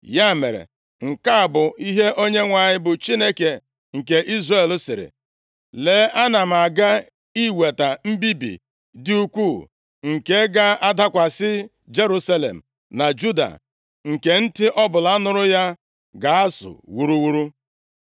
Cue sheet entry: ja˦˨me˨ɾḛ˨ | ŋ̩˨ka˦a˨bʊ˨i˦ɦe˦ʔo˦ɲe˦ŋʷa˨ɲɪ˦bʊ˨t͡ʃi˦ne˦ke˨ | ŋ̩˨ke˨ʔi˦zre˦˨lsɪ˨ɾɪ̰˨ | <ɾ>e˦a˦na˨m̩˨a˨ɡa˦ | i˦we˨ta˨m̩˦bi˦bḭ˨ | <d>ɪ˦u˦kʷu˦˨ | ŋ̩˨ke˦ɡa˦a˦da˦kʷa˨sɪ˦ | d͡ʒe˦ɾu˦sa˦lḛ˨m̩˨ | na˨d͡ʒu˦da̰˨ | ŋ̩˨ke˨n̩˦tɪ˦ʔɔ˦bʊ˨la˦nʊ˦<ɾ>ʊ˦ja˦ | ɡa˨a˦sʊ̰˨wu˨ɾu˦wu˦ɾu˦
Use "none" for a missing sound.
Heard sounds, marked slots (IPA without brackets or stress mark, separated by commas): l, d, ɾ